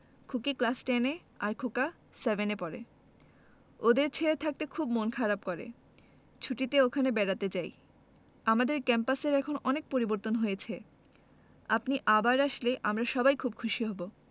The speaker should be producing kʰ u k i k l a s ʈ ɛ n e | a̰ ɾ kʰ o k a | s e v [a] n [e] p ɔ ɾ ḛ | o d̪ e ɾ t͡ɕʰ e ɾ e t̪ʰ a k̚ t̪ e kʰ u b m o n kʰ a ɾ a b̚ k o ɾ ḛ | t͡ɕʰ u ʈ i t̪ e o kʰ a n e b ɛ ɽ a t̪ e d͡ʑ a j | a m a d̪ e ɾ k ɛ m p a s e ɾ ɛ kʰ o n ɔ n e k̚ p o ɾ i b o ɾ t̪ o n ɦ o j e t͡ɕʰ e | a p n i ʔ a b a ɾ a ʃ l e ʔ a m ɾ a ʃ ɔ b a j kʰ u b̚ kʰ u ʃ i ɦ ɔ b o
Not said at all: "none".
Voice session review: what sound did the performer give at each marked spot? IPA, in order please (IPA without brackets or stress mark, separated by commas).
e, e